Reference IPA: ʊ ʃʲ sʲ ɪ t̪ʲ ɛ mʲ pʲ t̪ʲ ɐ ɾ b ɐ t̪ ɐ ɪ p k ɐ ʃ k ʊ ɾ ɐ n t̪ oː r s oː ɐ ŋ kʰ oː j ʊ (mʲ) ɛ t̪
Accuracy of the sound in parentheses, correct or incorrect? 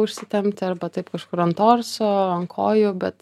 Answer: incorrect